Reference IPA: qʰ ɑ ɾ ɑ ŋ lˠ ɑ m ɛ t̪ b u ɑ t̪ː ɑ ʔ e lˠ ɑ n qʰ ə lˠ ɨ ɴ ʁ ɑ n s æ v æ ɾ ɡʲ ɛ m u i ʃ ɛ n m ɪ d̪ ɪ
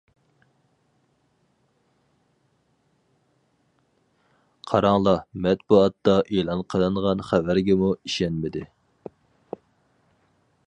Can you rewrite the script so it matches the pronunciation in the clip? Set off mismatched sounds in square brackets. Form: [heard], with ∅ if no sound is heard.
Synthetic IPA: qʰ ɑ ɾ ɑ ŋ lˠ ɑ m ɛ t̪ b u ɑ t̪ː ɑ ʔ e lˠ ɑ n qʰ ə lˠ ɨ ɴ ʁ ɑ n [χ] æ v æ ɾ ɡʲ ɛ m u i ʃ ɛ n m ɪ d̪ ɪ